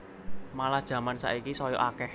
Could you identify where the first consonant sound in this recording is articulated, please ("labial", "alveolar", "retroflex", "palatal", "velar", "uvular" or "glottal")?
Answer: labial